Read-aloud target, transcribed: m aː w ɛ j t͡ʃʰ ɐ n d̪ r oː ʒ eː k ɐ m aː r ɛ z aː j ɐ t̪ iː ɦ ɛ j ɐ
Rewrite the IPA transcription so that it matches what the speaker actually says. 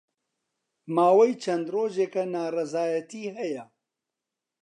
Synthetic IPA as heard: m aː w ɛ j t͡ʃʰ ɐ n d̪ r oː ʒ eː k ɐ n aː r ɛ z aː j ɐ t̪ iː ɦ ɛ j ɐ